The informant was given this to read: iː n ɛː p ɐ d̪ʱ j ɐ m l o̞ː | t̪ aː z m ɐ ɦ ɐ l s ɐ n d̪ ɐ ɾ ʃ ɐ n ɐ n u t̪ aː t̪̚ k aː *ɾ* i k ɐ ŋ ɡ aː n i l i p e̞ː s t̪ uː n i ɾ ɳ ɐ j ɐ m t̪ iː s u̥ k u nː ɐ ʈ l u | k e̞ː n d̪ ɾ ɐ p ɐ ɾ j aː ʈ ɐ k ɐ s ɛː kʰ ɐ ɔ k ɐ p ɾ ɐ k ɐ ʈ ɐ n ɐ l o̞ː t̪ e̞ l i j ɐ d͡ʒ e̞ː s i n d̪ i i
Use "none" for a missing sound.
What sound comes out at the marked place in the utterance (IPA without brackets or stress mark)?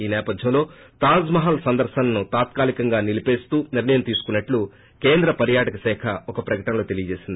l